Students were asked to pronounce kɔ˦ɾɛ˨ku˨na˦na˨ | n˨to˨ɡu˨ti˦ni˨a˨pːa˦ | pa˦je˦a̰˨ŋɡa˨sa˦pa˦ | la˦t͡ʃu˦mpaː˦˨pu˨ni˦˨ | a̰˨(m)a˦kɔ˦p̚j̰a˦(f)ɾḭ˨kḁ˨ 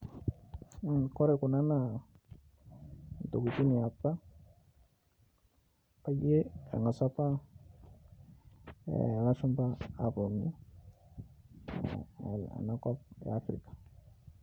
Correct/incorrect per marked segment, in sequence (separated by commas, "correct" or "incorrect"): incorrect, correct